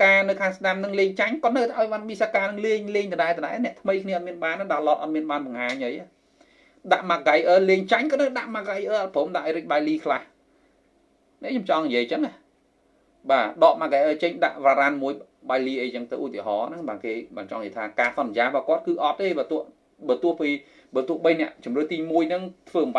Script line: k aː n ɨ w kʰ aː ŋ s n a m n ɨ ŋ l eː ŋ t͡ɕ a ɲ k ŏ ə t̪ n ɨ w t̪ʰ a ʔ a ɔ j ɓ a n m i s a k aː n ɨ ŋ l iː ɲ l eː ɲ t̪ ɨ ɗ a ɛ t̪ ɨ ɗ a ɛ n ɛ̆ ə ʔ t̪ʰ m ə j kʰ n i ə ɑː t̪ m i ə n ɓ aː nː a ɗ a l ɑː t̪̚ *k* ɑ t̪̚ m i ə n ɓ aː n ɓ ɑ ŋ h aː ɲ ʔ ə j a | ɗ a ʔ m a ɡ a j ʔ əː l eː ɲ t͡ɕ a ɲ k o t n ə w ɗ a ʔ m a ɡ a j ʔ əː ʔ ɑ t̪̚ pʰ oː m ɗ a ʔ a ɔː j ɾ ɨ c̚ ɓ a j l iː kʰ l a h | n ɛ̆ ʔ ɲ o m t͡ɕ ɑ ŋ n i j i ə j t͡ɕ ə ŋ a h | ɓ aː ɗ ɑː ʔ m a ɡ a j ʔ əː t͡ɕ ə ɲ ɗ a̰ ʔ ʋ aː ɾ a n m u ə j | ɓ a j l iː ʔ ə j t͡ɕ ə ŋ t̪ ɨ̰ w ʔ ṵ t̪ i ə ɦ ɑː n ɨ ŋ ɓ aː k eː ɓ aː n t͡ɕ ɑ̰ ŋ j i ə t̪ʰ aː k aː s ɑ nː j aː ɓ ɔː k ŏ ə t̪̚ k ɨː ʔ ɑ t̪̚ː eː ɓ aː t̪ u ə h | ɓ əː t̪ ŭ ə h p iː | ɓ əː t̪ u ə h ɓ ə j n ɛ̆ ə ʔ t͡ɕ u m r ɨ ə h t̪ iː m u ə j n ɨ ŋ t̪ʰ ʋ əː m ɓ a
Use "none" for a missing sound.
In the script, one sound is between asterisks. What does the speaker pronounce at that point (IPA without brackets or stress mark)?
ʔ